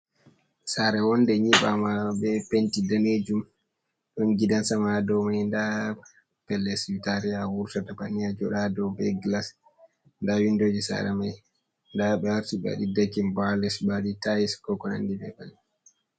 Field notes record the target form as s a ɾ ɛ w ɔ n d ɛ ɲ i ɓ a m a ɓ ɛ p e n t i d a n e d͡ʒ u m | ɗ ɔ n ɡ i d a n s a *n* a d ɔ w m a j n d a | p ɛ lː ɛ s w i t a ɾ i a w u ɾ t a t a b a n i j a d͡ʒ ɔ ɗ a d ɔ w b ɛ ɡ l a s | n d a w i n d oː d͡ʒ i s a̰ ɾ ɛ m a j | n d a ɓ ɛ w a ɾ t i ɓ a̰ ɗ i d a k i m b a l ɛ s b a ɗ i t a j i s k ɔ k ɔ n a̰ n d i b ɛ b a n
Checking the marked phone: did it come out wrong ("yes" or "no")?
yes